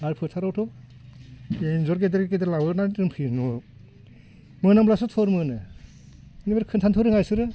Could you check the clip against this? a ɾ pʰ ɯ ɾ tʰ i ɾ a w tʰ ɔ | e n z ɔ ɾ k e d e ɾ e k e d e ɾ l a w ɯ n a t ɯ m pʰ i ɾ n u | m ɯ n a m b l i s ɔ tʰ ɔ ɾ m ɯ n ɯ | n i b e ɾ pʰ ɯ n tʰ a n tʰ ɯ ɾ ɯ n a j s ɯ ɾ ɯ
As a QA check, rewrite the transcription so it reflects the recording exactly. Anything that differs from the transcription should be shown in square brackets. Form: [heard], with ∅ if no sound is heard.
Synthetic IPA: a ɾ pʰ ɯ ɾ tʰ [a] ɾ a w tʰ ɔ | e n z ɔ ɾ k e d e ɾ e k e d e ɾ l a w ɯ n a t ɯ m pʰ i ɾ n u | m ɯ n a m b l [a] s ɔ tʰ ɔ ɾ m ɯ n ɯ | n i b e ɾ [kʰ] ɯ n tʰ a n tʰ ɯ ɾ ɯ [ŋ] a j s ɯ ɾ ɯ